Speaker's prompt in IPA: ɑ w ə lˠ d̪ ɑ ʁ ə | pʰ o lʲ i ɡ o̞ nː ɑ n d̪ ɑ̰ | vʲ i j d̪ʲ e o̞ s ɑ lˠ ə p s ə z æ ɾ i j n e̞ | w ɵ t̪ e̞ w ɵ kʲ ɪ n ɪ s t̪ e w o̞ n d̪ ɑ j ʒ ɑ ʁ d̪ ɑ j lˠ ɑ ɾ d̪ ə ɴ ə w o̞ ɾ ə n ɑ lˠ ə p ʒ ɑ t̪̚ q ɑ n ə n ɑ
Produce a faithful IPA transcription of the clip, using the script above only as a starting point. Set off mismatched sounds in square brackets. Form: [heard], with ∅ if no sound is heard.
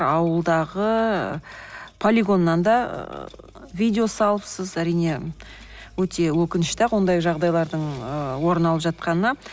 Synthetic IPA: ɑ w ə lˠ d̪ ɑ ʁ ə | pʰ o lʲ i ɡ o̞ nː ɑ n d̪ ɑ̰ | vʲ i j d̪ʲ e o̞ s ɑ lˠ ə p s ə z æ ɾ i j n e̞ | w ɵ t̪ e̞ w ɵ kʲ ɪ n ɪ [ʃ] t̪ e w o̞ n d̪ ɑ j ʒ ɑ ʁ d̪ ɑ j lˠ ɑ ɾ d̪ ə ɴ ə w o̞ ɾ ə n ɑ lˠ ə p ʒ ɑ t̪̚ q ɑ n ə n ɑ